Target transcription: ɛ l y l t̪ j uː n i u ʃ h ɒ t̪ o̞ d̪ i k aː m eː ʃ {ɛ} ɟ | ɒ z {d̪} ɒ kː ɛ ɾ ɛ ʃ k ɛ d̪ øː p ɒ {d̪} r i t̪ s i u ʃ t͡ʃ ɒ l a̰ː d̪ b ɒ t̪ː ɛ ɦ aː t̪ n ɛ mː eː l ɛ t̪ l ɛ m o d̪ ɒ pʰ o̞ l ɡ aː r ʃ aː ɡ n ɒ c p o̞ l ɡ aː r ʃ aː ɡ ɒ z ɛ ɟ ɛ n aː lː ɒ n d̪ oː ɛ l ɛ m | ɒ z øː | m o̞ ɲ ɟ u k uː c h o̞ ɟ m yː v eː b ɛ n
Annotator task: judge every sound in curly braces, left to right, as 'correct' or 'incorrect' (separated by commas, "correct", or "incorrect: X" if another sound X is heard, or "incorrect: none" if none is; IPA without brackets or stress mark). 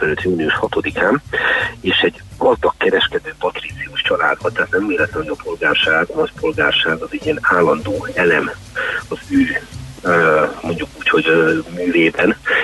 correct, correct, incorrect: t̪